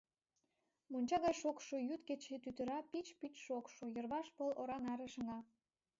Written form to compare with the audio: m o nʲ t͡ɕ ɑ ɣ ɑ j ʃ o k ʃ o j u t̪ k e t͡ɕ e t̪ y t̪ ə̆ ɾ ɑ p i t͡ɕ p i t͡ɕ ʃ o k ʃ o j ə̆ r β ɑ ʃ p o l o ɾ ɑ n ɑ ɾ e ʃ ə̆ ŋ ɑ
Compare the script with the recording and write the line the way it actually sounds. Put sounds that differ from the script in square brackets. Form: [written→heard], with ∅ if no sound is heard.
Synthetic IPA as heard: m o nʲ t͡ɕ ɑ ɣ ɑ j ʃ o k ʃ o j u t̪ k e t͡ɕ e t̪ y t̪ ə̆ ɾ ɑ p i t͡ɕ p i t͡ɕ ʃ o k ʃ o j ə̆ r β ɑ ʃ p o l o ɾ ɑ n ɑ ɾ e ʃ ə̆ ŋ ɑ